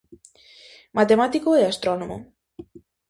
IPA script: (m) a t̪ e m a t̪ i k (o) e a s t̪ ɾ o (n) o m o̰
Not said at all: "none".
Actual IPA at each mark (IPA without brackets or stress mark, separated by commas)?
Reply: m, o, n